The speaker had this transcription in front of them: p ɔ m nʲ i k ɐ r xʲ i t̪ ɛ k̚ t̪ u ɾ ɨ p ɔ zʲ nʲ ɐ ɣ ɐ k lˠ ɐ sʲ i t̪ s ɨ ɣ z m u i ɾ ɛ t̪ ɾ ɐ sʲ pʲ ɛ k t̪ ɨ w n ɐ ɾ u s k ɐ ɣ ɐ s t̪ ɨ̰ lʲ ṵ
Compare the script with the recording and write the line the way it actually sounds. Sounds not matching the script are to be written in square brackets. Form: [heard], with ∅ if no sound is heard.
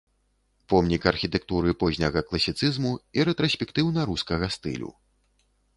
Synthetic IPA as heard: p ɔ m nʲ i k ɐ r xʲ i t̪ ɛ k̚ t̪ u ɾ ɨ p ɔ zʲ nʲ ɐ ɣ ɐ k lˠ ɐ sʲ i t̪ s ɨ [∅] z m u i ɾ ɛ t̪ ɾ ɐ sʲ pʲ ɛ k t̪ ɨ w n ɐ ɾ u s k ɐ ɣ ɐ s t̪ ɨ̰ lʲ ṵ